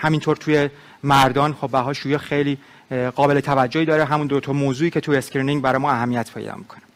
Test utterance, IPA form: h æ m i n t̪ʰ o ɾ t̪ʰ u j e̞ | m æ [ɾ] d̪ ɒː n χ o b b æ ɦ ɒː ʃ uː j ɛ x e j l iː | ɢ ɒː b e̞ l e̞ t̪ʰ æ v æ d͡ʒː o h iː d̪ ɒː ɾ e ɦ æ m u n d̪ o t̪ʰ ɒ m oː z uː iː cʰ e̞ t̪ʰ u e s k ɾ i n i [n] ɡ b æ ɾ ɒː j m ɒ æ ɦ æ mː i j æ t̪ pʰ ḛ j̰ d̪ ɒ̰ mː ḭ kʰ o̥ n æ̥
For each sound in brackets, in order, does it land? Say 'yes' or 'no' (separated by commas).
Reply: yes, no